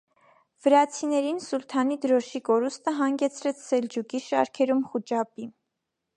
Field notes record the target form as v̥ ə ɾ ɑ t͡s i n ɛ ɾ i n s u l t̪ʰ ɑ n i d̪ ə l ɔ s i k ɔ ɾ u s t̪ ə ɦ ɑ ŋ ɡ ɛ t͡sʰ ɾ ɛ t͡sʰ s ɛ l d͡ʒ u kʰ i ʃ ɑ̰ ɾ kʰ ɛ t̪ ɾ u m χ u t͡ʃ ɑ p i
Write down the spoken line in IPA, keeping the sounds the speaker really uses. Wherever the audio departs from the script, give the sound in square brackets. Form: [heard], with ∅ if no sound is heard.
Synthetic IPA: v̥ ə ɾ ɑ [t͡sʰ] i n ɛ ɾ i n s u l t̪ʰ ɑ n i d̪ ə [ɾ] ɔ [ʃ] i k ɔ ɾ u s t̪ ə ɦ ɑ ŋ ɡ ɛ t͡sʰ ɾ ɛ t͡sʰ s ɛ l d͡ʒ u [k] i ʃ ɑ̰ ɾ kʰ ɛ [∅] ɾ u m χ u t͡ʃ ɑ p i